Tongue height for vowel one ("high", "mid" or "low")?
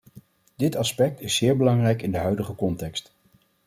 high